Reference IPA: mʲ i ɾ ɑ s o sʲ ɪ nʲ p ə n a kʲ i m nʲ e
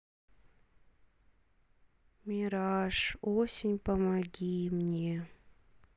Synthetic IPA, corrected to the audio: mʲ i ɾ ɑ ʂ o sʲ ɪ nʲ p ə m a ɡʲ i m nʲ e